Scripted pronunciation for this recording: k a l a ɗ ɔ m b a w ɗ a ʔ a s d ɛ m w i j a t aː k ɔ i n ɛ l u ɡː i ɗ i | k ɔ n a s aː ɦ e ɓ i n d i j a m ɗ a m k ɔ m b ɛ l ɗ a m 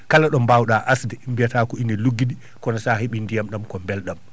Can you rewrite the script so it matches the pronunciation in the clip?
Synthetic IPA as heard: k a l a ɗ ɔ m b a w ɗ a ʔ a s d ɛ m b i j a t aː k ɔ i n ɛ l u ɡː i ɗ i | k ɔ n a s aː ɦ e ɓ i n d i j a m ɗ a m k ɔ m b ɛ l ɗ a m